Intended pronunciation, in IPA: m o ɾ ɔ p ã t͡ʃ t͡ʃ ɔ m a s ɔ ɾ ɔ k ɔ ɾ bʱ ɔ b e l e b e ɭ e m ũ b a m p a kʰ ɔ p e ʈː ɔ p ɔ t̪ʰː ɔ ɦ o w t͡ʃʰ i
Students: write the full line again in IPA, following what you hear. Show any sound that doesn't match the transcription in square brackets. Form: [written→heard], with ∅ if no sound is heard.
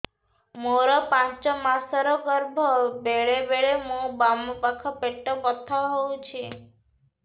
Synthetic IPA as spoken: m o ɾ ɔ p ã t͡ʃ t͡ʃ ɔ m a s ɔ ɾ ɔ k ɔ ɾ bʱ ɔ b e [l→ɭ] e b e ɭ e m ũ b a m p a kʰ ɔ p e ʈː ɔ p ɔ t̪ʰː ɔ ɦ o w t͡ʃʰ i